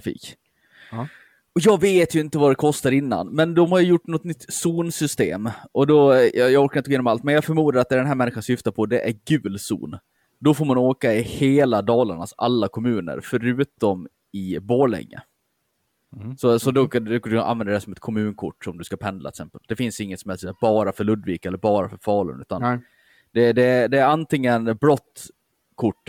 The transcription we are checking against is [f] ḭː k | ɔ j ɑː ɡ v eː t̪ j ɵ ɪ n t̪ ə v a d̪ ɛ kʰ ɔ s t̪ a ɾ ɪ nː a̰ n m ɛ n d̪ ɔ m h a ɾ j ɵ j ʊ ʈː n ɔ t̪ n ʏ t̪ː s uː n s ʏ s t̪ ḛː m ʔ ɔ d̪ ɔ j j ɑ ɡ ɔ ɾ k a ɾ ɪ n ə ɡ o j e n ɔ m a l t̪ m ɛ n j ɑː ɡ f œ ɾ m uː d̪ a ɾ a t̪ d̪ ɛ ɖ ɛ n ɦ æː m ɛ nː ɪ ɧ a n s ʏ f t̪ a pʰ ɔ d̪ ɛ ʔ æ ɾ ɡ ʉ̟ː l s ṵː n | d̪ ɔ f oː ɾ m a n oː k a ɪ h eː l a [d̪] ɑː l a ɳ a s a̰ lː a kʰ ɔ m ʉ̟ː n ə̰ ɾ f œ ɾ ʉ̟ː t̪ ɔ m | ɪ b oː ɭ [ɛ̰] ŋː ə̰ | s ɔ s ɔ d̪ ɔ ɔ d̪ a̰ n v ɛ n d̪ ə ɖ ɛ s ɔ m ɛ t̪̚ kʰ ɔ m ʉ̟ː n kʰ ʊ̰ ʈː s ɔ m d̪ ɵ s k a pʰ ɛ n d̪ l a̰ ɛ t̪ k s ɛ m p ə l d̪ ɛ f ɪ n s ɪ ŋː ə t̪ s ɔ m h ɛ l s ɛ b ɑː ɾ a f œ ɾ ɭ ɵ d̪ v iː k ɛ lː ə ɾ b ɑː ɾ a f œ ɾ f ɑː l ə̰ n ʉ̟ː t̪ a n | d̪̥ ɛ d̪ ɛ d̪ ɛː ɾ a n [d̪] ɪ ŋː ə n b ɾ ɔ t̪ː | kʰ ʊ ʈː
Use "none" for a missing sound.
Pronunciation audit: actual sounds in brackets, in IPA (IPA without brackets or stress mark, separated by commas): f, d̪, ɛ̰, t̪